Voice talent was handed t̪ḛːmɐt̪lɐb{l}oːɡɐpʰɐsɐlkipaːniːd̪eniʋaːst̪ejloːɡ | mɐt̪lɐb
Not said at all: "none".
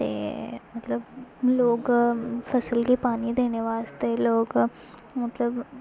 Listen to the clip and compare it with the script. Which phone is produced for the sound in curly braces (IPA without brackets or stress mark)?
l